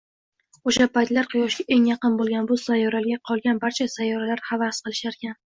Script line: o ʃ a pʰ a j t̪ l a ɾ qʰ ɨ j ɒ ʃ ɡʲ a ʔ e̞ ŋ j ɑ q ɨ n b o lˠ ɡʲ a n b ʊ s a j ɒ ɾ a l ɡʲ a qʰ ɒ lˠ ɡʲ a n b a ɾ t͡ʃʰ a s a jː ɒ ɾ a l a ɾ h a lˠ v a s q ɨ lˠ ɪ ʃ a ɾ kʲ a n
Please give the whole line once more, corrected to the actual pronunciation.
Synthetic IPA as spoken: o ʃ a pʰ a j t̪ l a ɾ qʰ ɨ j ɒ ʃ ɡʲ a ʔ e̞ ŋ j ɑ q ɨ n b o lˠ ɡʲ a n b ʊ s a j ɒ ɾ a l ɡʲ a qʰ ɒ lˠ ɡʲ a n b a ɾ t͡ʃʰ a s a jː ɒ ɾ a l a ɾ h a v a s q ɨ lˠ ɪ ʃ a ɾ kʲ a n

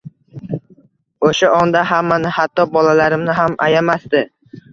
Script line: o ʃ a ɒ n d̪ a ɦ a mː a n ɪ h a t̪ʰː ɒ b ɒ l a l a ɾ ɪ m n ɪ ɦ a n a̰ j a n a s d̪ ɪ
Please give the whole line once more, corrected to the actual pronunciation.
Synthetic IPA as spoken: o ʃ a ɒ n d̪ a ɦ a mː a n ɪ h a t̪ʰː ɒ b ɒ l a l a ɾ ɪ m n ɪ ɦ a m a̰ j a m a s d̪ ɪ

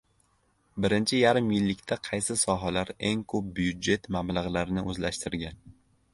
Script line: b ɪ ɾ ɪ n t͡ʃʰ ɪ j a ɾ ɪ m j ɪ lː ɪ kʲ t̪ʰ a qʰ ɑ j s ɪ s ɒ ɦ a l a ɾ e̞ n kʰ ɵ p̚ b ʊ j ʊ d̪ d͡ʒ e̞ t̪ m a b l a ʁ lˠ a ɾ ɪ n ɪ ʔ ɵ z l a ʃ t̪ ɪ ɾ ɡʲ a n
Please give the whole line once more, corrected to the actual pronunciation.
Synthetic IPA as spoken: b ɪ ɾ ɪ n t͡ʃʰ ɪ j a ɾ ɪ m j ɪ lː ɪ kʲ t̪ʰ a qʰ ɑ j s ɪ s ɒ ɦ a l a ɾ e̞ ŋ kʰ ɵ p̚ b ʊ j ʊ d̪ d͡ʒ e̞ t̪ m a b l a ʁ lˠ a ɾ ɪ n ɪ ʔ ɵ z l a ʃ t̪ ɪ ɾ ɡʲ a n

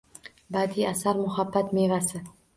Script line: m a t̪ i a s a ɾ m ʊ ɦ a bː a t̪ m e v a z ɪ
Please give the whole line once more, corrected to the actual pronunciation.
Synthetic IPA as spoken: b a d̪ i a s a ɾ m ʊ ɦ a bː a t̪ m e v a s ɪ

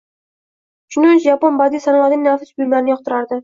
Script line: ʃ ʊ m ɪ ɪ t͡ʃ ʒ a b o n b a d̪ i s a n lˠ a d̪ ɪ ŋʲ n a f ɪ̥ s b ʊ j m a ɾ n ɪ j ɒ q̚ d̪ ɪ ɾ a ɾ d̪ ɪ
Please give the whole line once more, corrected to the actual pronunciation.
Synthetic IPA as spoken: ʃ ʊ n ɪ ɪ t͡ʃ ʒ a p o n b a d̪ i s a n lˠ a d̪ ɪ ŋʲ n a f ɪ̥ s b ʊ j m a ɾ n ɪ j ɒ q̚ t̪ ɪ ɾ a ɾ d̪ ɪ

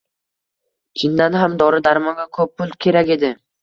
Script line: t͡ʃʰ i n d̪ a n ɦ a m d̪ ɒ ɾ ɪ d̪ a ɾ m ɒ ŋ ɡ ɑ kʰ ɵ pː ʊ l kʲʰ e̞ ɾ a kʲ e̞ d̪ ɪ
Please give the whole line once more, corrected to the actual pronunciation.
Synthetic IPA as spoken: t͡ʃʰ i n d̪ a n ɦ a m d̪ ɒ ɾ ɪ d̪ a ɾ m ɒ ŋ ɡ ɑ kʰ ɵ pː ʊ l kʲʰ e̞ ɾ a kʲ e̞ d̪ ɪ

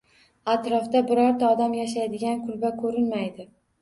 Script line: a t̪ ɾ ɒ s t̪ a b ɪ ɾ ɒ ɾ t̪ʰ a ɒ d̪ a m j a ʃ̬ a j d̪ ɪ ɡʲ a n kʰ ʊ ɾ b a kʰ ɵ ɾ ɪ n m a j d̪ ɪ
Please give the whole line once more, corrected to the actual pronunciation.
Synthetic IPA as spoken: a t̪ ɾ ɒ f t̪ a b ɪ ɾ ɒ ɾ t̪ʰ a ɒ d̪ a m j a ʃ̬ a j d̪ ɪ ɡʲ a n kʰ ʊ l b a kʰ ɵ ɾ ɪ n m a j d̪ ɪ

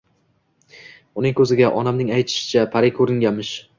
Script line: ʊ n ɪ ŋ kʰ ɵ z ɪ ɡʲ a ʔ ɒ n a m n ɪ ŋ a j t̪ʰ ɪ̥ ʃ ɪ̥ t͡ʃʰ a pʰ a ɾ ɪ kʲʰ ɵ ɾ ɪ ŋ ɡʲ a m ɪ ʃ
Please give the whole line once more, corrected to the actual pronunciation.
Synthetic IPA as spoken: ʊ n ɪ ŋ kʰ ɵ z ɪ ɡʲ a ʔ ɒ n a m n ɪ ŋ a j t̪ʰ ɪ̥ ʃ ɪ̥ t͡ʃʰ a pʰ a ɾ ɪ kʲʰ ɵ ɾ ɪ ŋ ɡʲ a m ɪ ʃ

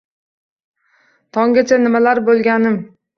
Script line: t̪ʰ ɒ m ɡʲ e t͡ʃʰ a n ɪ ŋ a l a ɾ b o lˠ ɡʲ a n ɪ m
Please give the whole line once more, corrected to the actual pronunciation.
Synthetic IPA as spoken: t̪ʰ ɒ ŋ ɡʲ a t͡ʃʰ a n ɪ m a l a ɾ b o lˠ ɡʲ a n ɪ m

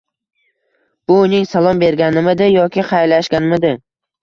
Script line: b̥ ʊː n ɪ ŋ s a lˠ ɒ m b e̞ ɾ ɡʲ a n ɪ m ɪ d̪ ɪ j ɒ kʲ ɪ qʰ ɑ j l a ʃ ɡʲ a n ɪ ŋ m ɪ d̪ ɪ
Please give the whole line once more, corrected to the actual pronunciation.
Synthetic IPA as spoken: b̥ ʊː n ɪ ŋ s a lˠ ɒ m b e̞ ɾ ɡʲ a n ɪ m ɪ d̪ ɪ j ɒ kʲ ɪ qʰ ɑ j l a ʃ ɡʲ a n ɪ m ɪ d̪ ɪ

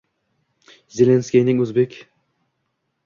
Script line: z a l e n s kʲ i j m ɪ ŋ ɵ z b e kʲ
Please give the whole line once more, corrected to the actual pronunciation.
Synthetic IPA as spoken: z e l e n s kʲ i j n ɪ ŋ ɵ z b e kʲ

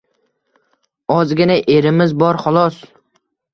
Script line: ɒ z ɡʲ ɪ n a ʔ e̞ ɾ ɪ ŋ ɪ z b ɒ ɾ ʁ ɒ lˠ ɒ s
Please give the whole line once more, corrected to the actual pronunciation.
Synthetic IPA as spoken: ɒ z ɡʲ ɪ n a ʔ e̞ ɾ ɪ m ɪ z b ɒ ɾ χ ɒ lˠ ɒ s

